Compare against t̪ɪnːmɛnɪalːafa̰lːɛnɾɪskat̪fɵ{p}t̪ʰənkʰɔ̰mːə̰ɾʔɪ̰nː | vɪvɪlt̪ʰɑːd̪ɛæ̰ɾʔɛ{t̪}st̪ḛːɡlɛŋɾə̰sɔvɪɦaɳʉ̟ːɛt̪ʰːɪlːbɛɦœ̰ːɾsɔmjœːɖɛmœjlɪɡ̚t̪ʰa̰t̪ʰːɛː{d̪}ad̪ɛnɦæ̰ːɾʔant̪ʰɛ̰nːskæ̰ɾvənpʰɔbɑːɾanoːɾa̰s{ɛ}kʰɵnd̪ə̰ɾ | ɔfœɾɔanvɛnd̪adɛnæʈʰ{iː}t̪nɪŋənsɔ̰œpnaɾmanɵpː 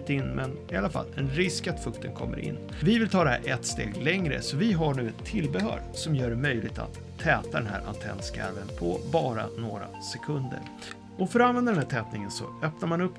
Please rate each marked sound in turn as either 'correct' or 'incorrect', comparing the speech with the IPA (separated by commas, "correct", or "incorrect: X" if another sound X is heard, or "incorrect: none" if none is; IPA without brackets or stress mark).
incorrect: k, correct, incorrect: t̪, correct, incorrect: ɛː